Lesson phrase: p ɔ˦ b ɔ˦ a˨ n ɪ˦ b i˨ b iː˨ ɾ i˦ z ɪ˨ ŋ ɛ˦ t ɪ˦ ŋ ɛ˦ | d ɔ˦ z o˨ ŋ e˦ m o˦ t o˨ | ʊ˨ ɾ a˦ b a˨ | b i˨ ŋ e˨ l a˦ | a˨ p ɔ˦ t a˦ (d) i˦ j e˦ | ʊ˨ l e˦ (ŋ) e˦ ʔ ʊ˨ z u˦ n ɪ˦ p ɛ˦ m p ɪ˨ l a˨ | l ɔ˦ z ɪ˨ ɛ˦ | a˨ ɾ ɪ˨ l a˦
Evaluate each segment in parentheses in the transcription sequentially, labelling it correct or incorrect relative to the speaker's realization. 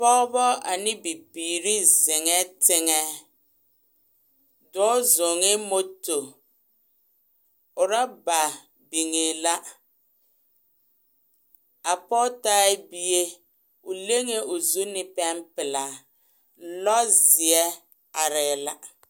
incorrect: b, correct

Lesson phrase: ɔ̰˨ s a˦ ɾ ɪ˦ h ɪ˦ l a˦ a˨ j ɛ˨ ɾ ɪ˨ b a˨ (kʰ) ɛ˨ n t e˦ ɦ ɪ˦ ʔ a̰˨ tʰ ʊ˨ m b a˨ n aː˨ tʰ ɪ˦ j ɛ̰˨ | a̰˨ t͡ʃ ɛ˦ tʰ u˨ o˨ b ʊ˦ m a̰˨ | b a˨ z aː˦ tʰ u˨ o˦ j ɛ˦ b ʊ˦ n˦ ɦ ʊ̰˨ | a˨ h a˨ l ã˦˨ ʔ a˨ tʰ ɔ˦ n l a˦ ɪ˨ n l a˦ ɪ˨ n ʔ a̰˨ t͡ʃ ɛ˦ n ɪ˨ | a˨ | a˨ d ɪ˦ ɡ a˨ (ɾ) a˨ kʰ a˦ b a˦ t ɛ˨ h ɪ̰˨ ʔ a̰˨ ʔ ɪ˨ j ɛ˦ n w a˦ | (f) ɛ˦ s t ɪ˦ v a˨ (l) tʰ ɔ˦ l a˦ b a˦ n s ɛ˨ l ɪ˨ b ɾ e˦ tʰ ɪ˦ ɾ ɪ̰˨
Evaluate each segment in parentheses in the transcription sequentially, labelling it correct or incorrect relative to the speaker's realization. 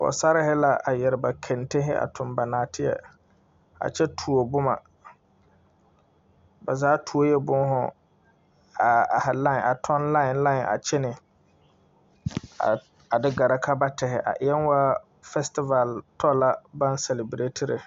correct, correct, correct, correct

